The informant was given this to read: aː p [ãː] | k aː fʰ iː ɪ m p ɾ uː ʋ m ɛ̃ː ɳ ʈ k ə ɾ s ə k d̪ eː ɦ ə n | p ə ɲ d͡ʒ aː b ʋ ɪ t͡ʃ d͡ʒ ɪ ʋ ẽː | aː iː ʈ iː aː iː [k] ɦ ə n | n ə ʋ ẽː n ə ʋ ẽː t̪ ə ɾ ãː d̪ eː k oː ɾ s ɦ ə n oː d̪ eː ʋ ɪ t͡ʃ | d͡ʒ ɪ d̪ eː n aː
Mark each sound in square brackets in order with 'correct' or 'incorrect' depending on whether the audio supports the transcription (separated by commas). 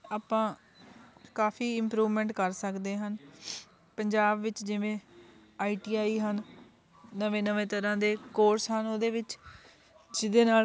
correct, incorrect